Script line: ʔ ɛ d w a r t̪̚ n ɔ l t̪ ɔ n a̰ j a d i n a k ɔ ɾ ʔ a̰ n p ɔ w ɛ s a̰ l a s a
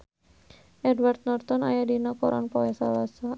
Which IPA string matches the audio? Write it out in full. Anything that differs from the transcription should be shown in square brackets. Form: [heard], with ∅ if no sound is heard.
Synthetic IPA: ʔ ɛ d w a r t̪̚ n ɔ [r] t̪ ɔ n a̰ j a d i n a k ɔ ɾ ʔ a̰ n p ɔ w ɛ s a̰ l a s a